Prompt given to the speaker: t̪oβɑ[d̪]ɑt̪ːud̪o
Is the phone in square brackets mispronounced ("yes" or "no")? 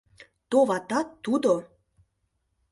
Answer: yes